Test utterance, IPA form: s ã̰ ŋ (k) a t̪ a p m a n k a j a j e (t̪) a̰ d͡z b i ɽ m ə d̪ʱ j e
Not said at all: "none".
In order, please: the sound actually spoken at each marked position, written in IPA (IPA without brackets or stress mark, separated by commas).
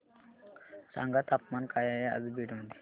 ɡ, none